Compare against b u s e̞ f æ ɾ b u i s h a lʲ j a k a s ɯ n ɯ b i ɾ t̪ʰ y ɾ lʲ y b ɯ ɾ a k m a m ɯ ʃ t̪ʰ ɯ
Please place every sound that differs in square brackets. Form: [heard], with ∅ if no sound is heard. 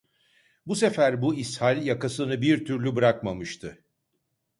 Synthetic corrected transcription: b u s e̞ f æ ɾ b u i s h a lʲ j a k a s ɯ n ɯ b i ɾ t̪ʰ y ɾ lʲ y b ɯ ɾ a k m a m ɯ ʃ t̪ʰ ɯ